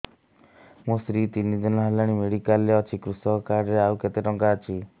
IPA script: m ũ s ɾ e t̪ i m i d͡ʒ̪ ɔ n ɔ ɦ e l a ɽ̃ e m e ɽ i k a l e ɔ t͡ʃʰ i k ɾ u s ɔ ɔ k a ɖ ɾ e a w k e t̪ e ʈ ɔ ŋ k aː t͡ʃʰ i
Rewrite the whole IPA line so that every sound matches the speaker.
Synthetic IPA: m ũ s ɾ i t̪ i n i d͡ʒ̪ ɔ n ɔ ɦ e l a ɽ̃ i m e ɽ i k a l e ɔ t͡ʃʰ i k ɾ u s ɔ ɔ k a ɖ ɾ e a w k e t̪ e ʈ ɔ ŋ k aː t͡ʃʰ i